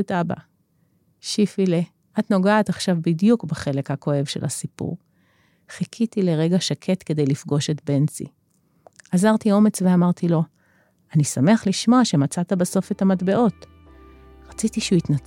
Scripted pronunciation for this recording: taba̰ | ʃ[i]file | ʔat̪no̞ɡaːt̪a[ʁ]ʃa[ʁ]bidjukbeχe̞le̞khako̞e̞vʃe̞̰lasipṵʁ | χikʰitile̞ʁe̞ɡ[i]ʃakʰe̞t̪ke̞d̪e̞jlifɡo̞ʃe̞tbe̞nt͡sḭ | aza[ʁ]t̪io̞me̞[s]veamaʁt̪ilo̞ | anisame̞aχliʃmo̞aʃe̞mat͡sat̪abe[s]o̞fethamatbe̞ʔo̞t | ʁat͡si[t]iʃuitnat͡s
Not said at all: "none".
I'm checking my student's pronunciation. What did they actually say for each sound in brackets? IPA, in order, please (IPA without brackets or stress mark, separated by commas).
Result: i, χ, v, a, ʁ, t͡s, s, t